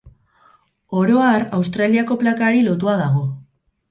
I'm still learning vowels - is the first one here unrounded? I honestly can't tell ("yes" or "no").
no